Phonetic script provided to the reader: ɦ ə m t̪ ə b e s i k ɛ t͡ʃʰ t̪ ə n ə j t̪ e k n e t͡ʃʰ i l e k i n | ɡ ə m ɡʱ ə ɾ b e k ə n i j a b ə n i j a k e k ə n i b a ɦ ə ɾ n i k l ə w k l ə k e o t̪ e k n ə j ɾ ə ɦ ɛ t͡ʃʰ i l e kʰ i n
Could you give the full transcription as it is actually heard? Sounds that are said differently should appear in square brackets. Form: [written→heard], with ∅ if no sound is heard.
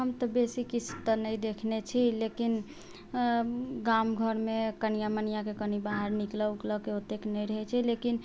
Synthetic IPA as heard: ɦ ə m t̪ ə b e s i k [ɛ→i] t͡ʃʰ t̪ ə n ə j [t̪→d̪] e [k→kʰ] n e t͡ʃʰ i l e k i n | ɡ [ə→a] m ɡʱ ə ɾ [b→m] e k ə n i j a [b→m] ə n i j a k e k ə n i b a ɦ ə ɾ n i k l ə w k l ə k e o t̪ e k n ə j ɾ ə ɦ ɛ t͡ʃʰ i l e [kʰ→k] i n